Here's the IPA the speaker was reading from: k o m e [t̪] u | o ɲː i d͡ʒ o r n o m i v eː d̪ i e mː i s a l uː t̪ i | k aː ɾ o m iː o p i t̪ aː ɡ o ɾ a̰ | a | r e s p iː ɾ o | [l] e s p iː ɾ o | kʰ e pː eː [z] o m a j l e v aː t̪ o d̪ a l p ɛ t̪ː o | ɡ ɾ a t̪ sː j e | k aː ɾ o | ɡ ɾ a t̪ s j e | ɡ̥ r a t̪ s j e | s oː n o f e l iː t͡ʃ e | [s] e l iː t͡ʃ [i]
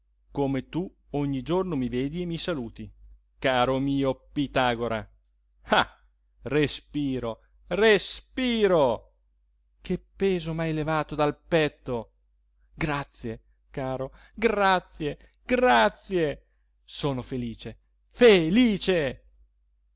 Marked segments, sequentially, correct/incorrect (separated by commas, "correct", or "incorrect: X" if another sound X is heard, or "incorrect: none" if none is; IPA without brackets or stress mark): correct, incorrect: r, correct, incorrect: f, incorrect: e